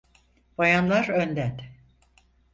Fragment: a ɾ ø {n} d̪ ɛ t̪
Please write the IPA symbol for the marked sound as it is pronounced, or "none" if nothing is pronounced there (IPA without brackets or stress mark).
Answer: n